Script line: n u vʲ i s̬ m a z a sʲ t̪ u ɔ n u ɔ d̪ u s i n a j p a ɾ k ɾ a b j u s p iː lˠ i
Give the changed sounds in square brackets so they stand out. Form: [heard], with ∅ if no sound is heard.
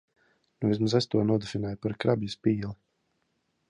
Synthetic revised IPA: n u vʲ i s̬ m a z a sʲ t̪ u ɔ n u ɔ d̪ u [f] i n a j p a ɾ k ɾ a b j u s p iː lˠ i